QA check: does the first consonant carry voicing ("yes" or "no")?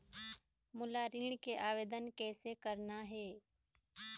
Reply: yes